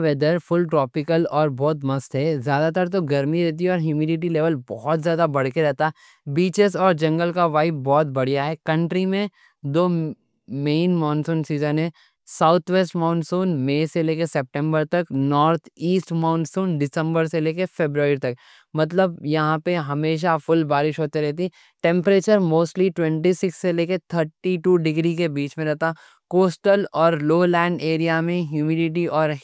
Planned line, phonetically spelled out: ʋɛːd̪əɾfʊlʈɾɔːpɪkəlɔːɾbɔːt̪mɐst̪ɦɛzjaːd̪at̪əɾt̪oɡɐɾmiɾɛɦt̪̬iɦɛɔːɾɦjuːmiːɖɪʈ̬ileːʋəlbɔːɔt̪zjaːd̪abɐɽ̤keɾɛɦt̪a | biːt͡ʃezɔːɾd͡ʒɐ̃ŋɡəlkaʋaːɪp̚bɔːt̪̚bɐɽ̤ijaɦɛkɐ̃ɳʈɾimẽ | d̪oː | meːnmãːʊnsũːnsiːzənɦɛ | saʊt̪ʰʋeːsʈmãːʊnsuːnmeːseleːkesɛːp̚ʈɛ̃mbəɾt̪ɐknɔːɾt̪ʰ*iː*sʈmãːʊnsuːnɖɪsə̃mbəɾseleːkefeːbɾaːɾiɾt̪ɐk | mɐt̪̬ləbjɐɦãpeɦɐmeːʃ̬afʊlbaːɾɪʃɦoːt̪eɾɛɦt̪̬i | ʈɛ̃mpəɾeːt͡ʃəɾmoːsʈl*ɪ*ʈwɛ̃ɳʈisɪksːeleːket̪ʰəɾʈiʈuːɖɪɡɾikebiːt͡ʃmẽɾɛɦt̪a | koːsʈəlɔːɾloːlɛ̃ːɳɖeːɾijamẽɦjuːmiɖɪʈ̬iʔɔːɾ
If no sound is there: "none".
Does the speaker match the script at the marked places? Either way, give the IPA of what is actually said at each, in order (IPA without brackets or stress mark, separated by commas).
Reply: iː, i